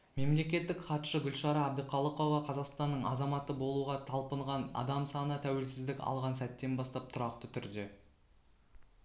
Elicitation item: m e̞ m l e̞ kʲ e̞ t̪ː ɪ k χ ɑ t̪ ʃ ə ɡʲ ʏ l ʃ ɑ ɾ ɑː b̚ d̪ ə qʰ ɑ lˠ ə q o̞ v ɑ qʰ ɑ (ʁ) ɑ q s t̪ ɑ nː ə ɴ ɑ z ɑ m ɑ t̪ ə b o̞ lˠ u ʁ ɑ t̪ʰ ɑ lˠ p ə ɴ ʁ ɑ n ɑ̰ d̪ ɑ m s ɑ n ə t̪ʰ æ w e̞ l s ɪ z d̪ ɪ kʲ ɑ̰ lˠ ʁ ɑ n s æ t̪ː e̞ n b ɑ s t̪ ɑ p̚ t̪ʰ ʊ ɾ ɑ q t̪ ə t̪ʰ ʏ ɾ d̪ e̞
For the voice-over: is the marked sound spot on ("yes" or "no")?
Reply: no